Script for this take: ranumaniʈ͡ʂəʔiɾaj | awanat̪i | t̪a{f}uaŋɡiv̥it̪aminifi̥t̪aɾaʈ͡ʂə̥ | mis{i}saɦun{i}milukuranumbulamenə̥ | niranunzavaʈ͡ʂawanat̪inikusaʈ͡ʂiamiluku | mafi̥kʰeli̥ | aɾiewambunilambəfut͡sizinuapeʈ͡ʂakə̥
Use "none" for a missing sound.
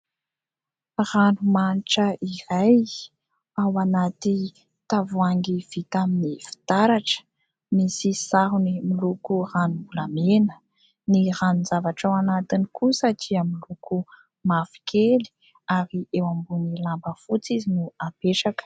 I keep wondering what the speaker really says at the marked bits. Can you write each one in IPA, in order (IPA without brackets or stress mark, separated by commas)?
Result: v, i, i